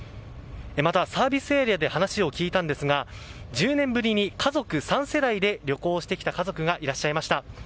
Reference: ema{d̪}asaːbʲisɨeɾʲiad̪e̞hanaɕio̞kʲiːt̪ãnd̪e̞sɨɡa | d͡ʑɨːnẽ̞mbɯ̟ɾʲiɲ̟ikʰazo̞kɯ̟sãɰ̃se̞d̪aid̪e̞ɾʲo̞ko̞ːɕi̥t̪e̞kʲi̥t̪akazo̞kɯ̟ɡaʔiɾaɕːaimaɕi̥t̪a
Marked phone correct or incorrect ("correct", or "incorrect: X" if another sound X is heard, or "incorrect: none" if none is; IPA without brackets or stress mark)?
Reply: incorrect: t̪